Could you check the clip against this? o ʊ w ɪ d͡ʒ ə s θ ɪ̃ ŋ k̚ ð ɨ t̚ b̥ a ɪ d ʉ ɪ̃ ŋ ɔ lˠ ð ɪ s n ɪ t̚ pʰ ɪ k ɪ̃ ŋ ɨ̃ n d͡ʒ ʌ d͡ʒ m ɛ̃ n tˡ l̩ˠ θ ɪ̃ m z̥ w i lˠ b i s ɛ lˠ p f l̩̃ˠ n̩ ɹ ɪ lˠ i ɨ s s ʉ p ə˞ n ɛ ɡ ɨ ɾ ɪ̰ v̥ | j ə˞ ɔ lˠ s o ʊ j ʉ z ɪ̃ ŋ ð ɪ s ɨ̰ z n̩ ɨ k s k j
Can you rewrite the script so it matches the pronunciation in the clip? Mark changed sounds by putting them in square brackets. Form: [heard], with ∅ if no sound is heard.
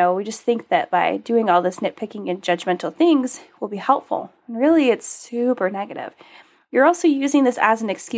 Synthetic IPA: o ʊ w [i] d͡ʒ [ʌ] s θ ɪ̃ ŋ k̚ ð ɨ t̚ b̥ a ɪ d ʉ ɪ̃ ŋ ɔ lˠ ð ɪ s n ɪ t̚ pʰ ɪ k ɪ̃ ŋ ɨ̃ n d͡ʒ ʌ d͡ʒ m ɛ̃ n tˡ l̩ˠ θ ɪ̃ [ŋ] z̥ w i lˠ b i [h] ɛ lˠ p f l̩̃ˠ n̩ ɹ ɪ lˠ i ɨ [t] s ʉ p ə˞ n ɛ ɡ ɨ ɾ ɪ̰ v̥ | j ə˞ ɔ lˠ s o ʊ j ʉ z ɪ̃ ŋ ð ɪ s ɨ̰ z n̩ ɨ k s k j